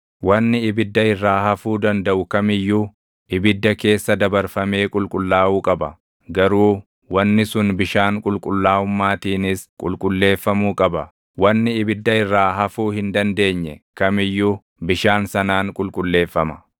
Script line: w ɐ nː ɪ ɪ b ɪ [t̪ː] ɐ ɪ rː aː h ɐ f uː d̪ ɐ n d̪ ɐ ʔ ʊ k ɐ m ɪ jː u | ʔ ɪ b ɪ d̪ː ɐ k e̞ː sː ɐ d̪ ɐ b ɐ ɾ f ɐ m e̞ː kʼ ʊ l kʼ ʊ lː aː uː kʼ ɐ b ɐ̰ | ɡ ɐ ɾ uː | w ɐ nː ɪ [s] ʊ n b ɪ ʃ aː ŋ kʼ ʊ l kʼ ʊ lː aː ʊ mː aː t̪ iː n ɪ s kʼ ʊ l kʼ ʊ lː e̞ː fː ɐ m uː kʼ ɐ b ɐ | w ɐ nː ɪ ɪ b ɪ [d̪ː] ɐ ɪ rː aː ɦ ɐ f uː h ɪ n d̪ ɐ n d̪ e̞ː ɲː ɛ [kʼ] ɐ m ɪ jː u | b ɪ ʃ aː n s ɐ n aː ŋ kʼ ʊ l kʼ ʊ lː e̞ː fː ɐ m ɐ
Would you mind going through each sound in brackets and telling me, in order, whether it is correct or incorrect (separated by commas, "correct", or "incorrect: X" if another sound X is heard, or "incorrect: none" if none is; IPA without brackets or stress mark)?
incorrect: d̪ː, correct, correct, incorrect: k